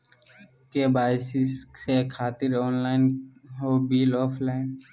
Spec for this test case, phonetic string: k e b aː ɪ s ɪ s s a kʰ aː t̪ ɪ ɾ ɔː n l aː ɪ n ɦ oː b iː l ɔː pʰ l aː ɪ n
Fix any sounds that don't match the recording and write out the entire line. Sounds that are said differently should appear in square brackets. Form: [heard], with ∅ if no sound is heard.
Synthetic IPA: k e b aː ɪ s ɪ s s [e] kʰ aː t̪ ɪ ɾ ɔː n l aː ɪ n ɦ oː b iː l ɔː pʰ l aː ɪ n